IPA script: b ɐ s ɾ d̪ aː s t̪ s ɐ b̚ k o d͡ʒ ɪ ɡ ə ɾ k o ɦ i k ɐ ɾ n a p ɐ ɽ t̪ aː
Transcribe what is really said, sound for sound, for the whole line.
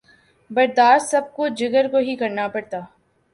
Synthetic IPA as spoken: b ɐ ɾ d̪ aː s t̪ s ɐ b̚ k o d͡ʒ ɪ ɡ ə ɾ k o ɦ i k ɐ ɾ n a p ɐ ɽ t̪ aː